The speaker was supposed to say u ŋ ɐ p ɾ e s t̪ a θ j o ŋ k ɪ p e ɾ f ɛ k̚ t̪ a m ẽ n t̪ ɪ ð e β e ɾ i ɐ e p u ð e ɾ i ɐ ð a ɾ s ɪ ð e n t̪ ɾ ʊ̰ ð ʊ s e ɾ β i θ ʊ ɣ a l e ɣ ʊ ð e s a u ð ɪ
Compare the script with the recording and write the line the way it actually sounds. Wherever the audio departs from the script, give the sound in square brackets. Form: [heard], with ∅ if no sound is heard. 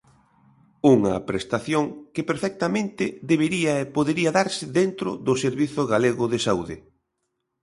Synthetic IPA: u ŋ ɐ p ɾ e s t̪ a θ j o ŋ k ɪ p e ɾ f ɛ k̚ t̪ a m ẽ n t̪ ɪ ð e β e ɾ i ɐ e p [o] ð e ɾ i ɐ ð a ɾ s ɪ ð e n t̪ ɾ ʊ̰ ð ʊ s e ɾ β i θ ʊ ɣ a l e ɣ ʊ ð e s a u ð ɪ